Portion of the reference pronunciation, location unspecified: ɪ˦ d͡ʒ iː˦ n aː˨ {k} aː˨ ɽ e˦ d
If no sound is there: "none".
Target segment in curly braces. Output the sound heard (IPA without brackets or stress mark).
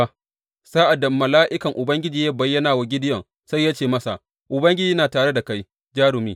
t